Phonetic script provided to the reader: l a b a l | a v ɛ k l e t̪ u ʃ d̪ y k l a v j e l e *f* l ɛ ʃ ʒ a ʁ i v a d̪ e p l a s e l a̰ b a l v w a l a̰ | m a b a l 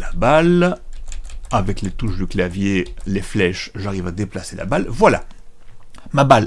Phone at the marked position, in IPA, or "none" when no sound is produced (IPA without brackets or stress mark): f